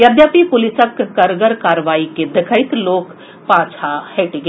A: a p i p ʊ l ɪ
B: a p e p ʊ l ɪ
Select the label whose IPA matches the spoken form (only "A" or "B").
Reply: A